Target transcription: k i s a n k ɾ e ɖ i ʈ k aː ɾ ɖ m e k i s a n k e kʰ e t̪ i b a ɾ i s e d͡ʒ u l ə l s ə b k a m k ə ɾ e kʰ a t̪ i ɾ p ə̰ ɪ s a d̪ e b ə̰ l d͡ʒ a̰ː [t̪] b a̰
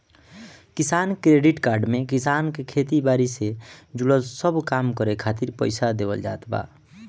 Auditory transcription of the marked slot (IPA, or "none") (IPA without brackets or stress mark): t̪